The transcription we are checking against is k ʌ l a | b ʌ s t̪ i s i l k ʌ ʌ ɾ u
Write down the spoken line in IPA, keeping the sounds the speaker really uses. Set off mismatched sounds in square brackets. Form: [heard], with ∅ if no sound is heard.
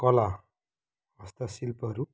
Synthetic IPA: k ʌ l a | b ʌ s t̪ [a] s i l [p] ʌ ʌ ɾ u

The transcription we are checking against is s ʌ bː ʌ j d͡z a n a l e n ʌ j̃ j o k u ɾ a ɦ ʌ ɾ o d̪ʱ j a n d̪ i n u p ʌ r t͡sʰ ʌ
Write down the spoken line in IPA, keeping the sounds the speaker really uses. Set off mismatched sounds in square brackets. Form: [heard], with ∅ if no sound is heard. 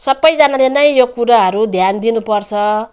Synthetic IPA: s ʌ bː ʌ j d͡z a n a l e n ʌ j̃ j o k u ɾ a ɦ ʌ ɾ [u] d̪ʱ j a n d̪ i n u p ʌ r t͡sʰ ʌ

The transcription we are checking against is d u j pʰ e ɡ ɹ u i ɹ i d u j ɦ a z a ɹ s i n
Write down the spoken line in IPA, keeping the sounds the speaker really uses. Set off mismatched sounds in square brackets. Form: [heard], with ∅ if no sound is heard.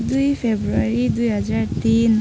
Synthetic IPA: d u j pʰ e [b] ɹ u [a] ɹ i d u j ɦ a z a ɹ [t] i n

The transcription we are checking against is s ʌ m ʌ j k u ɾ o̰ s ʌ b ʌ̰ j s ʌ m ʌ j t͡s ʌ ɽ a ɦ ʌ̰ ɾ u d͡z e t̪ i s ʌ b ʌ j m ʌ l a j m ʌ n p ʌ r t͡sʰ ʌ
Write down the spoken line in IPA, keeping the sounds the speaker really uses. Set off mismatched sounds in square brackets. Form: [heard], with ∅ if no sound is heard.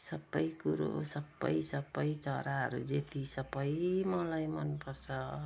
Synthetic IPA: s ʌ [b] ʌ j k u ɾ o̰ s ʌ b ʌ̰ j s ʌ [b] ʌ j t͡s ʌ [ɾ] a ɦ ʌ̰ ɾ u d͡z e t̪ i s ʌ b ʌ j m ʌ l a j m ʌ n p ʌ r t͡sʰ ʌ

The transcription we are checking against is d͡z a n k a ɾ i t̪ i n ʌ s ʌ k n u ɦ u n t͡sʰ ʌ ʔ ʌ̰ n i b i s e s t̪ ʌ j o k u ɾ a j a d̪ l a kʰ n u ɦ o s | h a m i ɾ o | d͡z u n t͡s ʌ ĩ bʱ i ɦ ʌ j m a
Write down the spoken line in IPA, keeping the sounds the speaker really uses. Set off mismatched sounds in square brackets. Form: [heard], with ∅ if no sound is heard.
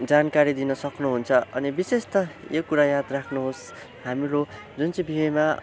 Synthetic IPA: d͡z a n k a ɾ i [d̪] i n ʌ s ʌ k n u ɦ u n t͡sʰ ʌ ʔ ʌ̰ n i b i s e s t̪ ʌ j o k u ɾ a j a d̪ [r] a kʰ n u ɦ o s | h a m i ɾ o | d͡z u n t͡s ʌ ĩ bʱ i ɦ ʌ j m a

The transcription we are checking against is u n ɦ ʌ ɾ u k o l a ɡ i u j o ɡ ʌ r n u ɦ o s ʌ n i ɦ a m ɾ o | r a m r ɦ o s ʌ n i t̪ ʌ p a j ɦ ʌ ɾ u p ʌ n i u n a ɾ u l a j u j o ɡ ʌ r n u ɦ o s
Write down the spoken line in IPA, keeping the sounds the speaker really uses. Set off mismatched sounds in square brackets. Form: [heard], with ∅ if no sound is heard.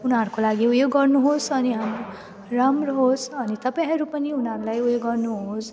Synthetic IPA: u n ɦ ʌ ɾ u k o l a ɡ i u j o ɡ ʌ r n u ɦ o s ʌ n i ɦ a m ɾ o | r a m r ɦ o s ʌ n i t̪ ʌ p a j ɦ ʌ ɾ u p ʌ n i u n [ʌ] ɾ u l a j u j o ɡ ʌ r n u ɦ o s

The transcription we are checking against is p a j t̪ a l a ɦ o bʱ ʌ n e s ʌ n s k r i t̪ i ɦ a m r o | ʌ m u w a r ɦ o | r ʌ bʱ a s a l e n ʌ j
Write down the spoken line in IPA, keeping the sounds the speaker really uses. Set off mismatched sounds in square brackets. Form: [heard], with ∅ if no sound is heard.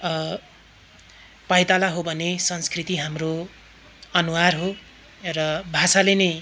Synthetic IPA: p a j t̪ a l a ɦ o bʱ ʌ n e s ʌ n s k r i t̪ i ɦ a m r o | ʌ [n] u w a r ɦ o | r ʌ bʱ a s a l e n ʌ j

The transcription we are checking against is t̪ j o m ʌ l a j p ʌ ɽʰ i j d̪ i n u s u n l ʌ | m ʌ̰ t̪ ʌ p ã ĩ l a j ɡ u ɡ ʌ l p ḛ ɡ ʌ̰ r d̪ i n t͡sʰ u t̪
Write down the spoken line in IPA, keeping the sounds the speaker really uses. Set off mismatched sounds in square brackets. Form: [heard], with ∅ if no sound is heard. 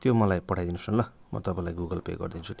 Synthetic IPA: t̪ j o m ʌ l a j p ʌ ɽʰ [a] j d̪ i n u s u n l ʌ | m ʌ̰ t̪ ʌ p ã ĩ l a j ɡ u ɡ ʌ l p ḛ ɡ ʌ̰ r d̪ i n t͡sʰ u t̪

